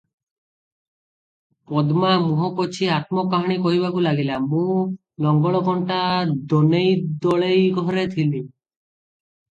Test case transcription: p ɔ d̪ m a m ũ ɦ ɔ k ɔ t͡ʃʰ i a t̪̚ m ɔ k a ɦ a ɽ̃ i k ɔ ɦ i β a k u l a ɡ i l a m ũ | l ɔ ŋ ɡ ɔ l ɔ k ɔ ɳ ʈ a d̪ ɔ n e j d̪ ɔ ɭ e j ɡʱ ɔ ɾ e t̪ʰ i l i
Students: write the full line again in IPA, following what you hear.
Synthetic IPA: p ɔ d̪ m a m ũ ɦ ɔ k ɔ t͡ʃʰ i a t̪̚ m ɔ k a ɦ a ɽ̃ i k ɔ ɦ i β a k u l a ɡ i l a m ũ | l ɔ ŋ ɡ ɔ ɭ ɔ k ɔ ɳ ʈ a d̪ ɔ n e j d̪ ɔ ɭ e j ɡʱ ɔ ɾ e t̪ʰ i l i